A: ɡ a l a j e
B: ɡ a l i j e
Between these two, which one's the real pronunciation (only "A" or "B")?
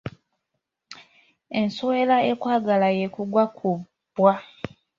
A